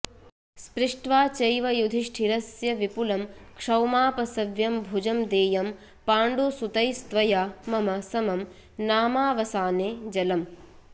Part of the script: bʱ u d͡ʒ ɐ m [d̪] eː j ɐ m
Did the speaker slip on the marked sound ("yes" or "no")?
no